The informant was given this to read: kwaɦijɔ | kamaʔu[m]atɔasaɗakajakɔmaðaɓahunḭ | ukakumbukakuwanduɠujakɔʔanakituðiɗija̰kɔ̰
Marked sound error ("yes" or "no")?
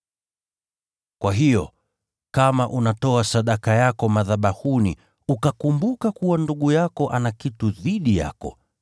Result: yes